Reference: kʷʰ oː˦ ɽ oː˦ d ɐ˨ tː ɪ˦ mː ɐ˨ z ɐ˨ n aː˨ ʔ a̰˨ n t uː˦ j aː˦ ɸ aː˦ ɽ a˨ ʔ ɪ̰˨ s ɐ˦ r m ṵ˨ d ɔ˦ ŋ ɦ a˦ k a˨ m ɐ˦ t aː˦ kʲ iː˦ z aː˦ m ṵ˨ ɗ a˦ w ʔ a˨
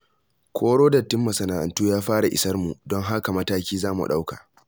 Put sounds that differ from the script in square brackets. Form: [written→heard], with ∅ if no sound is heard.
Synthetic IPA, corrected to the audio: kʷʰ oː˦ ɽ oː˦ d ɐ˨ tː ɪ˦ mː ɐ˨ [z→s] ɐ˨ n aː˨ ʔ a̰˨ n t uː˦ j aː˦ ɸ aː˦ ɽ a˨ ʔ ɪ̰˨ s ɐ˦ r m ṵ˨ d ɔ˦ ŋ ɦ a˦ k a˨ m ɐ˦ t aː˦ kʲ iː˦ z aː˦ m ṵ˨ ɗ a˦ w [ʔ→k] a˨